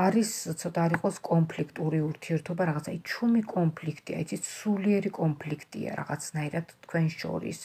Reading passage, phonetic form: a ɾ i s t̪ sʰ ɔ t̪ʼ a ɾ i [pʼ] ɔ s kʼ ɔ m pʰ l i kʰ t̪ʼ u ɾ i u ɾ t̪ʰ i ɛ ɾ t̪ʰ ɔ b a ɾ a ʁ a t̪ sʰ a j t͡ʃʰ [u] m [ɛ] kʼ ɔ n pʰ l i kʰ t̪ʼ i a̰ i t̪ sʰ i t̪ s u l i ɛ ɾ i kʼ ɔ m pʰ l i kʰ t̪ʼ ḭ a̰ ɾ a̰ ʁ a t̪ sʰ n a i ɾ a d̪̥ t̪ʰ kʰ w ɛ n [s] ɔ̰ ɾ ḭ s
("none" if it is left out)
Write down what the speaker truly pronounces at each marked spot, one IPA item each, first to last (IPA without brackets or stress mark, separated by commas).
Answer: qʼ, u, i, ʃ